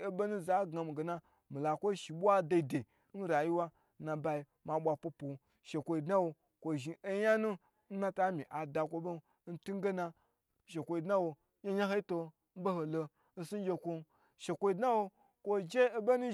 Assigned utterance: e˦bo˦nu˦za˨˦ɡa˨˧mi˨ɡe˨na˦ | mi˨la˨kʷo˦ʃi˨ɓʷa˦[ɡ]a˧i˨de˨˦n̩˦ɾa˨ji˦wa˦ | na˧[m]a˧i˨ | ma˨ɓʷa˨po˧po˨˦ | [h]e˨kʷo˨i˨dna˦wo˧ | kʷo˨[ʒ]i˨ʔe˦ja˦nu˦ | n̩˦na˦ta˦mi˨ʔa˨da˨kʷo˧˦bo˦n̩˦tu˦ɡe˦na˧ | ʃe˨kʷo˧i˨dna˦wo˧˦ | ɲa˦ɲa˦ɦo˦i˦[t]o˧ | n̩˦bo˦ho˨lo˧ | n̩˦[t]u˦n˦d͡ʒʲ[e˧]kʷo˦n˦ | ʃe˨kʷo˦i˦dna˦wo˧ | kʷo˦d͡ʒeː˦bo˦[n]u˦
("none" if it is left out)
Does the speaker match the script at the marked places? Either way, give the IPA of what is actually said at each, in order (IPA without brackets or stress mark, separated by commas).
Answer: d, b, ʃ, ʒ, t, s, e˧, n